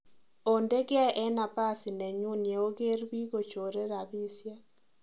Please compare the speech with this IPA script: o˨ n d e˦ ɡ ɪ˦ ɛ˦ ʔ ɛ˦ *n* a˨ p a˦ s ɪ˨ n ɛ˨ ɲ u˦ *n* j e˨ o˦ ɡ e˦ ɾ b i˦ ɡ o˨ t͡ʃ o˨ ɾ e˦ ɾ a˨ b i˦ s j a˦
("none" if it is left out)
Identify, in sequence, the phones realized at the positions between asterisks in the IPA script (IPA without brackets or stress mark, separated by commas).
n, n